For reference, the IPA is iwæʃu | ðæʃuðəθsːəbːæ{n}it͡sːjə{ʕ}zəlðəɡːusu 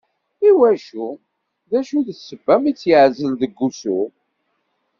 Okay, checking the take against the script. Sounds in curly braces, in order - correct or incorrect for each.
incorrect, correct

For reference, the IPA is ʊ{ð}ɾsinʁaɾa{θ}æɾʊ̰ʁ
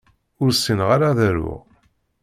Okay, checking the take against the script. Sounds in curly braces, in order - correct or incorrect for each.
incorrect, incorrect

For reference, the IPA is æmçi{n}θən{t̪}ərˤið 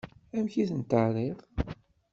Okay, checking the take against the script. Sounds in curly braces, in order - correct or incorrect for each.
incorrect, correct

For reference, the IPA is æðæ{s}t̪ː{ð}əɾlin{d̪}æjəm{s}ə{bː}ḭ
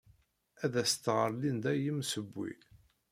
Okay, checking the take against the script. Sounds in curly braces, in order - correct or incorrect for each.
correct, incorrect, correct, correct, correct

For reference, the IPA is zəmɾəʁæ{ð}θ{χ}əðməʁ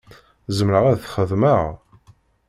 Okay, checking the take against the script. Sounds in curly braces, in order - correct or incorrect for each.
correct, correct

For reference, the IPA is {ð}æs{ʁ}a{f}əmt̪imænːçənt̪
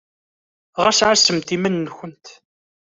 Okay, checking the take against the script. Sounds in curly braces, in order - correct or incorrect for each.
incorrect, incorrect, incorrect

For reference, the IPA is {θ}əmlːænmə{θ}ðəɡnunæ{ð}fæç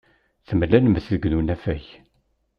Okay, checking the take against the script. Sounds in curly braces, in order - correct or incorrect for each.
correct, correct, incorrect

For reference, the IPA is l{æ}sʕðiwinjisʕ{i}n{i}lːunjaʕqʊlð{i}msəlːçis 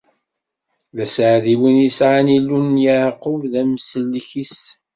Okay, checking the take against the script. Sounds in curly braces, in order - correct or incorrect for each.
correct, incorrect, correct, incorrect

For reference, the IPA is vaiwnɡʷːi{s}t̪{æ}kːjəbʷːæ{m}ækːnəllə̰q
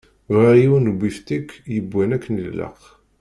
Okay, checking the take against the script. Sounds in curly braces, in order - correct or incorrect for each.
incorrect, incorrect, incorrect

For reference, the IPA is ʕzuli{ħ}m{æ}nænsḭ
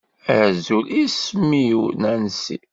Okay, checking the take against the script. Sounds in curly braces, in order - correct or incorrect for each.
incorrect, incorrect

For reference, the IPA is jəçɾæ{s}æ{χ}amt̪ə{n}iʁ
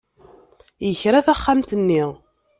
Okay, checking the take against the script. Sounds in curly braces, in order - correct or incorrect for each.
incorrect, incorrect, incorrect

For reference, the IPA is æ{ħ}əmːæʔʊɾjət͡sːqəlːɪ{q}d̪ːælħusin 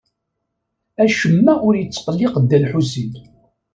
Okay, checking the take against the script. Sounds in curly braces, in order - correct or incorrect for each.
incorrect, correct

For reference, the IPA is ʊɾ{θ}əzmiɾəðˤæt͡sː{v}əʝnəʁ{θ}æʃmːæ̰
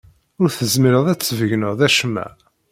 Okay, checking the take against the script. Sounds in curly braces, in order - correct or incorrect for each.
correct, correct, incorrect

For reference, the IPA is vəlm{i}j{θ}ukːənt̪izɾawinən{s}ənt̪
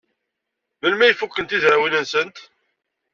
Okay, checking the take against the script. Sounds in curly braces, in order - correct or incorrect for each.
incorrect, incorrect, correct

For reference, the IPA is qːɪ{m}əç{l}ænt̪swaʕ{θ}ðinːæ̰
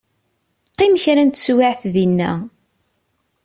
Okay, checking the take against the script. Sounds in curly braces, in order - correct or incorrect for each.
correct, incorrect, correct

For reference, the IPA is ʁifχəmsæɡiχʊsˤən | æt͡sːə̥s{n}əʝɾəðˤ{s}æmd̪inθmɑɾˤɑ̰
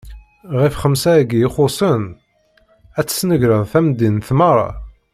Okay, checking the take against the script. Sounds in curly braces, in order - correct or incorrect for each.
correct, incorrect

